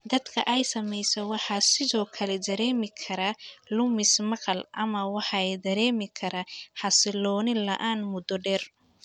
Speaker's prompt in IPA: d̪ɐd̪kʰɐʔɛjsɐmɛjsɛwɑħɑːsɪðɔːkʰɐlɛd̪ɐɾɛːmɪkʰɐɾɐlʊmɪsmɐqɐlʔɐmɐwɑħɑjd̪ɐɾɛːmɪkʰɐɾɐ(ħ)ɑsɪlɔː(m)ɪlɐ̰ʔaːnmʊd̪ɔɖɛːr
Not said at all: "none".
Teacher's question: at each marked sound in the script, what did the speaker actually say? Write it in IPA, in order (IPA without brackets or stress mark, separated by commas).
ħ, n